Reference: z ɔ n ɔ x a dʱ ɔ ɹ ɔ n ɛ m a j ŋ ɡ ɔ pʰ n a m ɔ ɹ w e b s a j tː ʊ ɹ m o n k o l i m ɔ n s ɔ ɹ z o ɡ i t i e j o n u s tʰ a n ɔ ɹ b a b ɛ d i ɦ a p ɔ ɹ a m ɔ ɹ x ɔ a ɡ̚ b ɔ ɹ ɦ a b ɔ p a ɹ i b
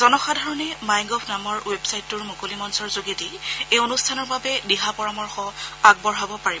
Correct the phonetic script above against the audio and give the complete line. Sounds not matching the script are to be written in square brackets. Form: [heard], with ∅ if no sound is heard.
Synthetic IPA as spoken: z ɔ n ɔ x a dʱ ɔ ɹ ɔ n ɛ m a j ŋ ɡ ɔ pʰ n a m ɔ ɹ w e b s a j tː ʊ ɹ m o [∅] k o l i m ɔ n s ɔ ɹ z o ɡ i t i e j o n u s tʰ a n ɔ ɹ b a b ɛ d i ɦ a p ɔ ɹ a m ɔ ɹ x ɔ a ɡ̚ b ɔ ɹ ɦ a b ɔ p a ɹ i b